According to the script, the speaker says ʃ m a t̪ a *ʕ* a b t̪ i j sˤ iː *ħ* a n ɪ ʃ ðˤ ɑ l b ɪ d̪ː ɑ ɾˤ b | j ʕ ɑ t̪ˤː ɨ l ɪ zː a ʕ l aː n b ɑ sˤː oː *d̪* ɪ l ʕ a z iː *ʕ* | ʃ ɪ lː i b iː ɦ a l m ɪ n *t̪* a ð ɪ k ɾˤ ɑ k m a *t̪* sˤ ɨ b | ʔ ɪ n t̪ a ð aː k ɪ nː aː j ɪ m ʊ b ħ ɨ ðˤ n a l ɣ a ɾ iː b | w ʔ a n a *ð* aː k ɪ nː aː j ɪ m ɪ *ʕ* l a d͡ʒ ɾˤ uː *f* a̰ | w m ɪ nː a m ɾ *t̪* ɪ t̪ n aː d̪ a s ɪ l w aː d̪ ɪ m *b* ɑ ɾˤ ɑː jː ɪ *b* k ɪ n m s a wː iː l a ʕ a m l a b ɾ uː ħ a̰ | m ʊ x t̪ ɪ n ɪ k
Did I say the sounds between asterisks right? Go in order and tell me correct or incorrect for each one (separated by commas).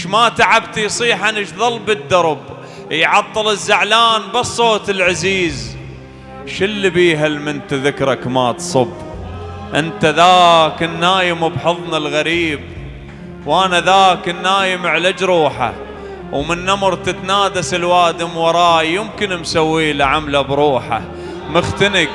correct, correct, incorrect, incorrect, correct, correct, correct, correct, incorrect, correct, incorrect, incorrect